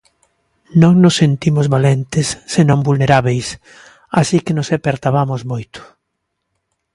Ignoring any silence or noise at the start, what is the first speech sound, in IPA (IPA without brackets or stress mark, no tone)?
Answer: n